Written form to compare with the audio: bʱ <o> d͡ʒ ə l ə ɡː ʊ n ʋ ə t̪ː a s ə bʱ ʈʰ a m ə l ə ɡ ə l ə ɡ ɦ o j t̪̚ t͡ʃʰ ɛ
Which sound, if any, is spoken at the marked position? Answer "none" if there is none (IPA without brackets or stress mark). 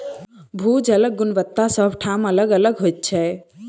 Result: u